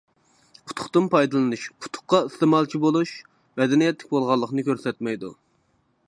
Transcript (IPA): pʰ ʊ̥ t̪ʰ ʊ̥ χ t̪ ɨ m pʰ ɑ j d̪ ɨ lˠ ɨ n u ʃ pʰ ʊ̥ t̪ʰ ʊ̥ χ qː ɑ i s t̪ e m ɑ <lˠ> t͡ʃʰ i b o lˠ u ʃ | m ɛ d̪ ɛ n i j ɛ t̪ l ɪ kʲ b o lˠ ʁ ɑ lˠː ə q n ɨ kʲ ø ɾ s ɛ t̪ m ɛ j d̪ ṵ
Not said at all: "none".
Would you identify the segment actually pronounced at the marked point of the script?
lˠ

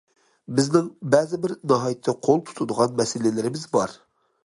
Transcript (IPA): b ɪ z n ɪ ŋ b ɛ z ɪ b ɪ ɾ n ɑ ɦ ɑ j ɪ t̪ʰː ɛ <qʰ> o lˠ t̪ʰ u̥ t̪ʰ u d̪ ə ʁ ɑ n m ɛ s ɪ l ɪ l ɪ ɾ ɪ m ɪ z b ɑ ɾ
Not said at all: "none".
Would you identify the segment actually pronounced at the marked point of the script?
qʰ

